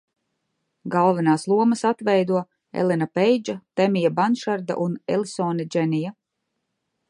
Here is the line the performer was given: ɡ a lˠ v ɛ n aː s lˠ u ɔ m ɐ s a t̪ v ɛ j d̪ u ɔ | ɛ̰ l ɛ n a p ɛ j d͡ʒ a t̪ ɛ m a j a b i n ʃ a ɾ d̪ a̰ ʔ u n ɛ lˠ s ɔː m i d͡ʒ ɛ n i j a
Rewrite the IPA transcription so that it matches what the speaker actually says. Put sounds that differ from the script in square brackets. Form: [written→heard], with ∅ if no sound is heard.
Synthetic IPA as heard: ɡ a lˠ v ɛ n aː s lˠ u ɔ m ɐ s a t̪ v ɛ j d̪ u ɔ | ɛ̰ l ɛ n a p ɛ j d͡ʒ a t̪ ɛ m [a→i] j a b [i→a] n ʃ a ɾ d̪ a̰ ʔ u n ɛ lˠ s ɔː [m→n] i d͡ʒ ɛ n i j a